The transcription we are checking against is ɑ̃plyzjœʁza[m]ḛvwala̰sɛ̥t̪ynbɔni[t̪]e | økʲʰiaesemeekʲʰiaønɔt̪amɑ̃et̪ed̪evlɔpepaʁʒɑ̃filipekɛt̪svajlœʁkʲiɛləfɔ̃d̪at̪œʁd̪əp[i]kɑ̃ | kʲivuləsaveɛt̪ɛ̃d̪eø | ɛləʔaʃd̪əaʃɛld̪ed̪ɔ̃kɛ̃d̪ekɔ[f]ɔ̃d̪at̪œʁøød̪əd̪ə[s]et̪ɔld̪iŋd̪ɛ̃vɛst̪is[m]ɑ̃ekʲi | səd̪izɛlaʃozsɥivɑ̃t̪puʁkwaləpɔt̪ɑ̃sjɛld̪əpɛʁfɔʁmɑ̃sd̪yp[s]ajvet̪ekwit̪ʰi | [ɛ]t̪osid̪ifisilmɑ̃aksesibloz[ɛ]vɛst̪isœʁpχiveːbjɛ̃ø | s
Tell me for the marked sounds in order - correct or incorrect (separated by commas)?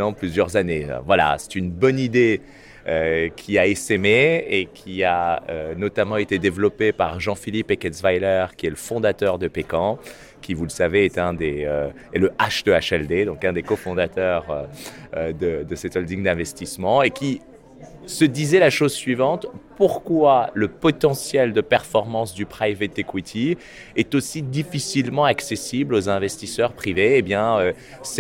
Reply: incorrect, incorrect, incorrect, correct, correct, correct, incorrect, correct, incorrect